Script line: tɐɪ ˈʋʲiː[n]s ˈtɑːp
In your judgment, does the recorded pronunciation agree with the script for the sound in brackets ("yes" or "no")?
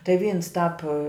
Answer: yes